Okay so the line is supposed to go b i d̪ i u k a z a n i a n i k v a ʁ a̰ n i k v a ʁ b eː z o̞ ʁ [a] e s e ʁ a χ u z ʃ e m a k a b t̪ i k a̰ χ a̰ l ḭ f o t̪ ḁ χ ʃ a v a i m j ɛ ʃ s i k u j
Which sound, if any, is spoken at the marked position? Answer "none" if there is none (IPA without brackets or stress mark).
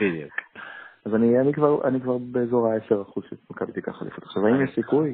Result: a